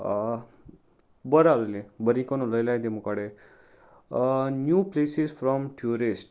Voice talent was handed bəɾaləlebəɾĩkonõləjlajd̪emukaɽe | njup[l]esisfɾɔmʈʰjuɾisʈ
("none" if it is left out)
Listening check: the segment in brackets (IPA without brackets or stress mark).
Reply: l